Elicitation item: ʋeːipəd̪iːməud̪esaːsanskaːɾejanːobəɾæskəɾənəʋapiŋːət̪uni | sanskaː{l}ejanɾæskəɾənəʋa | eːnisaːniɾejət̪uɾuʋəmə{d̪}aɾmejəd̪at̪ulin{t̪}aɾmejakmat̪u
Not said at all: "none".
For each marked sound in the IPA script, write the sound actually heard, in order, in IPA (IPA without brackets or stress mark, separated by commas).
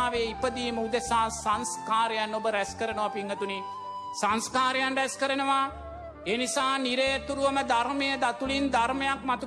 ɾ, d̪, d̪